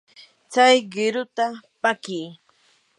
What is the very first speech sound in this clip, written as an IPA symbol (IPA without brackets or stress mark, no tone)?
t͡s